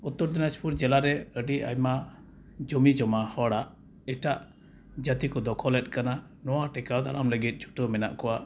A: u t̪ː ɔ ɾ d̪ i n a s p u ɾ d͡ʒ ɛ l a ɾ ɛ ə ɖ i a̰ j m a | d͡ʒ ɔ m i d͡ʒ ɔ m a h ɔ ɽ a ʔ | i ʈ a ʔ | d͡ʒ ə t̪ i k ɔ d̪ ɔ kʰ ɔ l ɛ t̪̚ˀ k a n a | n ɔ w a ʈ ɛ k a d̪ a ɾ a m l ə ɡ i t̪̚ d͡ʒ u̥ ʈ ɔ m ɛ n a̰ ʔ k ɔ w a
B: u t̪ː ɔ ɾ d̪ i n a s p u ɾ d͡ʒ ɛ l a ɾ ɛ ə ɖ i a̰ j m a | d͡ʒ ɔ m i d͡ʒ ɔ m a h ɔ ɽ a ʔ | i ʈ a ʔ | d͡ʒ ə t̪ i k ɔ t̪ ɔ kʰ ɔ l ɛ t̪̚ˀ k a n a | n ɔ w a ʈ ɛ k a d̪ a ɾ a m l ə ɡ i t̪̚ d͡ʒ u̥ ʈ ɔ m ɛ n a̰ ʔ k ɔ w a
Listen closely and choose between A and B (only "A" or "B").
A